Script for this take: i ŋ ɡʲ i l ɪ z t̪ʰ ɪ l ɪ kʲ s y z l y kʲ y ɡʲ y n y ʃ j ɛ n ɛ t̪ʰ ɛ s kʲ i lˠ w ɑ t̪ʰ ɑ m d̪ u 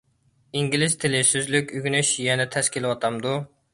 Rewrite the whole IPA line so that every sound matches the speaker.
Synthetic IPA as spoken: i ŋ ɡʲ i l ɪ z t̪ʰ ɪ l ɪ s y z l y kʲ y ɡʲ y n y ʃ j ɛ n ɛ t̪ʰ ɛ s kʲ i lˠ w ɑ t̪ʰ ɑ m d̪ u